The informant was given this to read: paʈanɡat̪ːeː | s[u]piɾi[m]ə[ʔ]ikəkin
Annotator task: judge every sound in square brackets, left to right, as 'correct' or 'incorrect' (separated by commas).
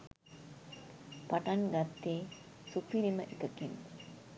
correct, correct, correct